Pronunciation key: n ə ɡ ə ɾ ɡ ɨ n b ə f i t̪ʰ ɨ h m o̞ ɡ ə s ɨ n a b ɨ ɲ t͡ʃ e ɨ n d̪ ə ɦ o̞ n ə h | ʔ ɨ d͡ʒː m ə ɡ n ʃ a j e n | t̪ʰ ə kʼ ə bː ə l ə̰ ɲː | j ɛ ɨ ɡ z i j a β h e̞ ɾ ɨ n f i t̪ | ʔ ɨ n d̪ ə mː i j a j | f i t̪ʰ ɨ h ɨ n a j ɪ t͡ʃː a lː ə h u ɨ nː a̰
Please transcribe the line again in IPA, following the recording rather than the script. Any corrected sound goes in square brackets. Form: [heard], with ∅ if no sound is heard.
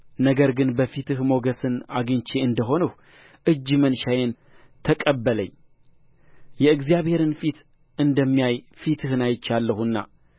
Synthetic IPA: n ə ɡ ə ɾ ɡ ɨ n b ə f i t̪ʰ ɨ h m o̞ ɡ ə s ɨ n a [ɡ] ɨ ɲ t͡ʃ e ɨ n d̪ ə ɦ o̞ n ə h | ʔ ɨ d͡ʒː m ə [∅] n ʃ a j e n | t̪ʰ ə kʼ ə bː ə l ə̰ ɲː | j ɛ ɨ ɡ z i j a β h e̞ ɾ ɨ n f i t̪ | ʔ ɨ n d̪ ə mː i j a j | f i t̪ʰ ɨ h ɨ n a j ɪ t͡ʃː a lː ə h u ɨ nː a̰